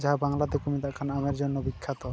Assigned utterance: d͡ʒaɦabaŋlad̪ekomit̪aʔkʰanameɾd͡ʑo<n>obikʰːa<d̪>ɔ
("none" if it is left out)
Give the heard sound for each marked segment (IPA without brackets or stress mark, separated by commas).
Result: nː, t̪